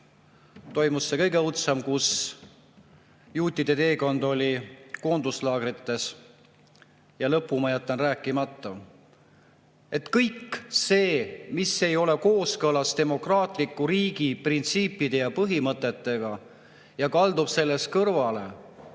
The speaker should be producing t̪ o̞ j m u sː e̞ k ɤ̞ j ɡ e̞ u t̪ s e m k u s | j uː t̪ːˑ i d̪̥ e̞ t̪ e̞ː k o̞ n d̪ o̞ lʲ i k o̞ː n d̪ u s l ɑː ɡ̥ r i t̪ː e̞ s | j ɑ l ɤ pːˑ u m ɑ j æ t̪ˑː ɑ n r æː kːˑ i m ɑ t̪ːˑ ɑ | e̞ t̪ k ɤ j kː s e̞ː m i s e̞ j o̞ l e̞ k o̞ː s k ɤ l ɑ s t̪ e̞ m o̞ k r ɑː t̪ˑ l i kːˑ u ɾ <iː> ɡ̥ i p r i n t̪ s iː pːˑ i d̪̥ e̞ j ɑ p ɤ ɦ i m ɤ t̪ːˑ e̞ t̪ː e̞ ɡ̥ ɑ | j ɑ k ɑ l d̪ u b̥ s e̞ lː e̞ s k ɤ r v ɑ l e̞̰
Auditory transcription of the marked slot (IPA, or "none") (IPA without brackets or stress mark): iː